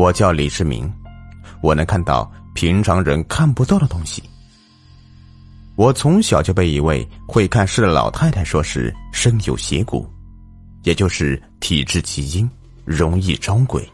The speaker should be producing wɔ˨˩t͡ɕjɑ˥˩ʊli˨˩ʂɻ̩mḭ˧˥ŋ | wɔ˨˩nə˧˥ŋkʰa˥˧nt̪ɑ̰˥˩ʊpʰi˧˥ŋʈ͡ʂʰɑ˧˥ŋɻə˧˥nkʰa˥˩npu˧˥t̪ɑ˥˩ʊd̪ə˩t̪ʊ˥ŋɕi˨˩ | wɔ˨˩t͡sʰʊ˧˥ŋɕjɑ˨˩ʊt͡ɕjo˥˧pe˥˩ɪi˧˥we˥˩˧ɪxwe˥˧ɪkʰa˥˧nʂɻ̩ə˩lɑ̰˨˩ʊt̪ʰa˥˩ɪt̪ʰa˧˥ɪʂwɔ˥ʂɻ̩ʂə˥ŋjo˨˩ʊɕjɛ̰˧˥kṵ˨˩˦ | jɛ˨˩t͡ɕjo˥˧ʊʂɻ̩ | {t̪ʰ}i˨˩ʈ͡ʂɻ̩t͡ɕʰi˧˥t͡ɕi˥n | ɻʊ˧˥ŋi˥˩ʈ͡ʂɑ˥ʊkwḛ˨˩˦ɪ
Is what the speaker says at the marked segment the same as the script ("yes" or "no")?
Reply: yes